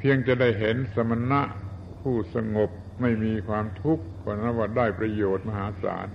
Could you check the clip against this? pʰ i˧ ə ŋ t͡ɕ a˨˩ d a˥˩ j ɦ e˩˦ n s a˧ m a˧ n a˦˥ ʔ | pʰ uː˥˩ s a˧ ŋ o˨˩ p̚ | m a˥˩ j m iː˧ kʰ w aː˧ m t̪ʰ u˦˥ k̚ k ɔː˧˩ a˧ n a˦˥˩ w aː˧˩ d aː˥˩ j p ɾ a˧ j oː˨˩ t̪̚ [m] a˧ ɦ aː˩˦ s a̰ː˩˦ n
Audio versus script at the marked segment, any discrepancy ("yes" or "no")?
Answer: no